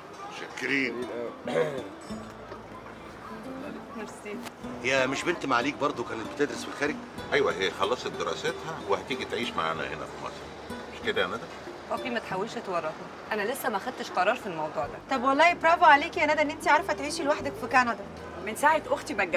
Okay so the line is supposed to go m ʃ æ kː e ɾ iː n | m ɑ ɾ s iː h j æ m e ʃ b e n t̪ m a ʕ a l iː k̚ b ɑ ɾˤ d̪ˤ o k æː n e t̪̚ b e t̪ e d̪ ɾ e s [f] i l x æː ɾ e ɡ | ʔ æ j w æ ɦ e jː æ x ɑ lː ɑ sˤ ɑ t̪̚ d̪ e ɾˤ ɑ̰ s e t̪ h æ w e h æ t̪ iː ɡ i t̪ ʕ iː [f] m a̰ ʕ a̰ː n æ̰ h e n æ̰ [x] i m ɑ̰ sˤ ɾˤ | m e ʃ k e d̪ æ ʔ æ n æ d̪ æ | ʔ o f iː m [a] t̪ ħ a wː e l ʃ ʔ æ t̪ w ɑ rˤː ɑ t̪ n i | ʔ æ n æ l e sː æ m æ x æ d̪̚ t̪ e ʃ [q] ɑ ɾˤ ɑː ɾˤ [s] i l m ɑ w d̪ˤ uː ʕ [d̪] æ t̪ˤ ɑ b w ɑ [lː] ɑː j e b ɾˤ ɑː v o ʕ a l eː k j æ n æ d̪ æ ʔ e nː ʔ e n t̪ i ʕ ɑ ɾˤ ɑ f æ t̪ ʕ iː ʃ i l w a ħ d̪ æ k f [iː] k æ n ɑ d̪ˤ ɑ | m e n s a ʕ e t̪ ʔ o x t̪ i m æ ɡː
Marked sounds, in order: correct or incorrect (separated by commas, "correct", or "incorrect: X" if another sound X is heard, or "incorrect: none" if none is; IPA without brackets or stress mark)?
correct, incorrect: ʃ, incorrect: f, incorrect: æ, correct, incorrect: f, correct, correct, incorrect: i